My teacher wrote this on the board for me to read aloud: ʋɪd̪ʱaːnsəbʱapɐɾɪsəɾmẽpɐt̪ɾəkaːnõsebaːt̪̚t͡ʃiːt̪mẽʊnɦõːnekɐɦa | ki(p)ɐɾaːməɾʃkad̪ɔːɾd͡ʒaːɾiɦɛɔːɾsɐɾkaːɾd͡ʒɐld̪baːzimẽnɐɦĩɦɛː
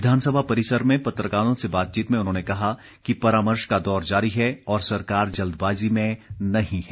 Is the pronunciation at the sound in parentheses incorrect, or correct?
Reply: correct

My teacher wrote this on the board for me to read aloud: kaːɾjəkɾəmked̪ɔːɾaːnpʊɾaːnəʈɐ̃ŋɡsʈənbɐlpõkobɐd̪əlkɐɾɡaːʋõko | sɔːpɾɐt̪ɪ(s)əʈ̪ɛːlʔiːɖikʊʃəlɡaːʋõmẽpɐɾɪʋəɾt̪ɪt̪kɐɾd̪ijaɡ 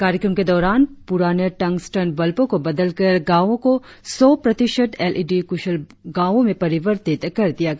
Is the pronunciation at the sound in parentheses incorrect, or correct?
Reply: incorrect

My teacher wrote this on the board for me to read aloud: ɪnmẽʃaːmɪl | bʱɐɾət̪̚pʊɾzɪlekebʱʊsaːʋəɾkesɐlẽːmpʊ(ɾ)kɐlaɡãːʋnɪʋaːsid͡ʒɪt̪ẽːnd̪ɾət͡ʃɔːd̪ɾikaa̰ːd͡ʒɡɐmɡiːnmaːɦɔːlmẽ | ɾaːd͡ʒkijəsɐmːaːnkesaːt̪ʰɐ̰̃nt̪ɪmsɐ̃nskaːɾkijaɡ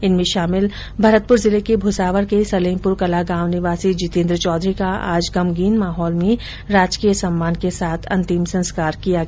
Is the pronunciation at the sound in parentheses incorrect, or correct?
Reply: correct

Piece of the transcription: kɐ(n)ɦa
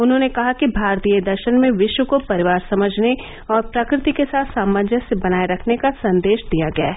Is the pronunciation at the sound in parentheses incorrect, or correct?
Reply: incorrect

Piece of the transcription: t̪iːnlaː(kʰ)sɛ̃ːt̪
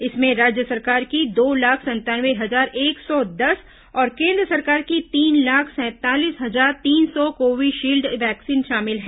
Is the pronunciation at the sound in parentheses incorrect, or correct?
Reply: correct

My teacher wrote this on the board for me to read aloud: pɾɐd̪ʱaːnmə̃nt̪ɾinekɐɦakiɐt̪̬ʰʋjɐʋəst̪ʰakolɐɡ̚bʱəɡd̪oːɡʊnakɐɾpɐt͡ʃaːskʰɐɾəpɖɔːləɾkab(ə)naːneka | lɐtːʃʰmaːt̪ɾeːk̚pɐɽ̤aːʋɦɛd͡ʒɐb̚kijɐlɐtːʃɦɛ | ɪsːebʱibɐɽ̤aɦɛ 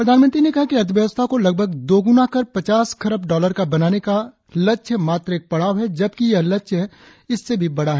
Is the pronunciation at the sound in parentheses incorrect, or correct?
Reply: incorrect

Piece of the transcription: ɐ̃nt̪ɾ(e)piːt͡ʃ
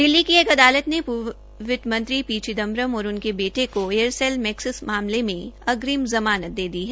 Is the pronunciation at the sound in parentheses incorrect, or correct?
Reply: incorrect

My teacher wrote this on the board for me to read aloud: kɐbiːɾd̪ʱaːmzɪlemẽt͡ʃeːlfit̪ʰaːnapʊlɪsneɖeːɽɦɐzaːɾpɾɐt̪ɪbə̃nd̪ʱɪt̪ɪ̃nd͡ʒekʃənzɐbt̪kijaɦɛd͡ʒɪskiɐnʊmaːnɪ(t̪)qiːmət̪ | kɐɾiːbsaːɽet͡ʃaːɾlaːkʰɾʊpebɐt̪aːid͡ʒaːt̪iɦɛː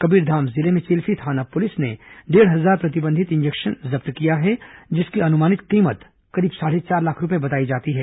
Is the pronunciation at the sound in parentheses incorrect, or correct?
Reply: correct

